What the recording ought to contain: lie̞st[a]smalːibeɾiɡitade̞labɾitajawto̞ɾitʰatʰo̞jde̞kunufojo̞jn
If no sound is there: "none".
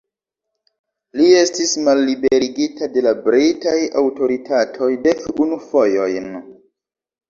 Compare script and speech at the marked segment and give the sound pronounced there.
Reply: i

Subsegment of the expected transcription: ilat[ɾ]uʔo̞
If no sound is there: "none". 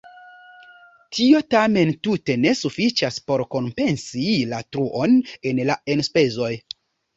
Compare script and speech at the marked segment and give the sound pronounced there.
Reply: ɾ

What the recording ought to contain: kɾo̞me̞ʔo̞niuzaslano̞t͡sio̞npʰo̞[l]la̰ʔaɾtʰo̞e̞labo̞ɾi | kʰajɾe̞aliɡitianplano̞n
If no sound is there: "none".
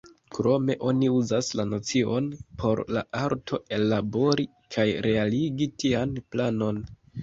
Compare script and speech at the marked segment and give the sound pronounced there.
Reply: ɾ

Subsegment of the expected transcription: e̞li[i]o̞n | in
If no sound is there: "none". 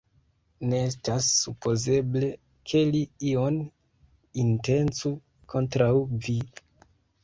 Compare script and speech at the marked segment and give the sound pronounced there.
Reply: i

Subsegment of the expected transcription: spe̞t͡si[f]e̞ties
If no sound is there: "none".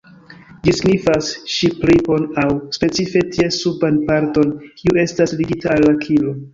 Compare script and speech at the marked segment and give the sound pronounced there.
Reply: f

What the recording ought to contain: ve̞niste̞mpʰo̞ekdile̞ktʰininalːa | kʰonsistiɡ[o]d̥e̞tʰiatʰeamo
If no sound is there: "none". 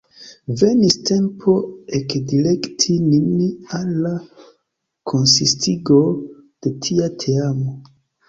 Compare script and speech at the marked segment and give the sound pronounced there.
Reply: o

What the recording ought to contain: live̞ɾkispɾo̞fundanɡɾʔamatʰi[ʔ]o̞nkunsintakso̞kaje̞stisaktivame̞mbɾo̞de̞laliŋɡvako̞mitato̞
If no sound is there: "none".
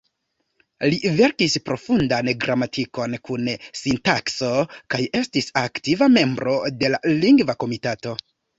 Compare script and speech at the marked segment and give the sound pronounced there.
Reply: k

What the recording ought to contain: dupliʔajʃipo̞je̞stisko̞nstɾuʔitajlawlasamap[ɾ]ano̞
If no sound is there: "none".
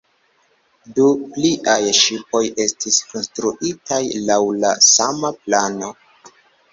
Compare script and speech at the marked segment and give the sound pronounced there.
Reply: l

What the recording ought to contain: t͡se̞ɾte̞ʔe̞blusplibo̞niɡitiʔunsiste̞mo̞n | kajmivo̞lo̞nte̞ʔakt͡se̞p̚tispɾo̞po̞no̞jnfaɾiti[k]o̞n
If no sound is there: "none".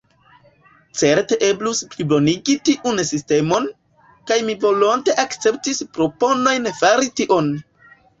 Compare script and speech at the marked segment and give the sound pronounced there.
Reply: ʔ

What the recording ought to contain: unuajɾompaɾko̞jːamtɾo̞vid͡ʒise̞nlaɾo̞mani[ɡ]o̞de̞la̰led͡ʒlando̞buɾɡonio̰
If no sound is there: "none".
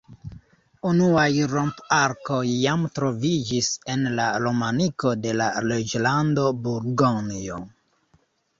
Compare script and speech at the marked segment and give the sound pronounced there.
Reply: k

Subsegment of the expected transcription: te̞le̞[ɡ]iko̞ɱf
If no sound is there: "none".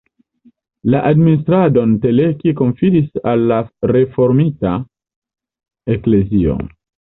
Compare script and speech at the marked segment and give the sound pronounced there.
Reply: k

